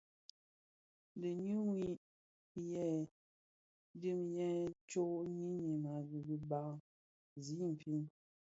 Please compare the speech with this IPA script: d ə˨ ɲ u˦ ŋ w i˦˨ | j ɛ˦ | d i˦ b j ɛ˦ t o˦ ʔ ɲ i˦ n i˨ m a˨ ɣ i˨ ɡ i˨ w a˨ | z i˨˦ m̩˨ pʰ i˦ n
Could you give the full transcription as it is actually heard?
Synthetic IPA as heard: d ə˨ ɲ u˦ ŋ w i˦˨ | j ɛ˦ | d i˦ m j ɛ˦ t͡ʃ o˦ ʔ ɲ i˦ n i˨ m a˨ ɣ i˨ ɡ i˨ b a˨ | z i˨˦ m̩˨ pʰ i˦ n